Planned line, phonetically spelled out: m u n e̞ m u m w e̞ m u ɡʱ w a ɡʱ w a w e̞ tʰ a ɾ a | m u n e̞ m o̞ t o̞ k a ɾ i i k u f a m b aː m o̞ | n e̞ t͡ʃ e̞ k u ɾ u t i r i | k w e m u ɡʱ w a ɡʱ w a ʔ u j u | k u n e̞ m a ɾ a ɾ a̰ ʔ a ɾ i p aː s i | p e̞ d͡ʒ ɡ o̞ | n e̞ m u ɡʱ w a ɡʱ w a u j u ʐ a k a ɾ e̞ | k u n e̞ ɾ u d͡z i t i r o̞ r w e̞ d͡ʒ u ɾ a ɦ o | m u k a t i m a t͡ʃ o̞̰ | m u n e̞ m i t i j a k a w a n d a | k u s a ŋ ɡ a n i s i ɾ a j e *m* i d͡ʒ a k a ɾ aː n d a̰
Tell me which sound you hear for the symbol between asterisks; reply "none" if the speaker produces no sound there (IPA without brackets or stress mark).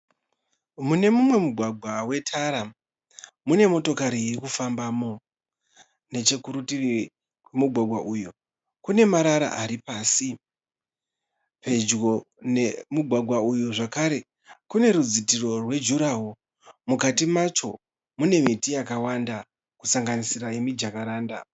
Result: m